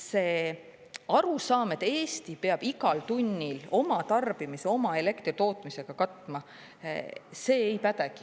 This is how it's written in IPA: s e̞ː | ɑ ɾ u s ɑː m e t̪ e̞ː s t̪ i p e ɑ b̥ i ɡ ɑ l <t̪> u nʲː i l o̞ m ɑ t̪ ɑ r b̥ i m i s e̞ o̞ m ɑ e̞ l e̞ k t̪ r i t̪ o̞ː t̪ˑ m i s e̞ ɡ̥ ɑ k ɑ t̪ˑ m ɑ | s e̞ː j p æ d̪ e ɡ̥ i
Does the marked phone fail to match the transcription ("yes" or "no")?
no